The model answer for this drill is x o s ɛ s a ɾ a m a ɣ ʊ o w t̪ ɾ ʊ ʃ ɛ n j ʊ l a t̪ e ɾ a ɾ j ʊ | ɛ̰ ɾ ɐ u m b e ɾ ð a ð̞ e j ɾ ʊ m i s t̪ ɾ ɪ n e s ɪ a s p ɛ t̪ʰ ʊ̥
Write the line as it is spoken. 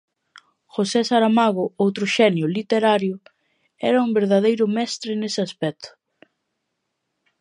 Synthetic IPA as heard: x o s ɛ s a ɾ a m a ɣ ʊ o w t̪ ɾ ʊ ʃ ɛ n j ʊ l i t̪ e ɾ a ɾ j ʊ | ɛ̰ ɾ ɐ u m b e ɾ ð a ð̞ e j ɾ ʊ m ɛ s t̪ ɾ ɪ n e s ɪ a s p ɛ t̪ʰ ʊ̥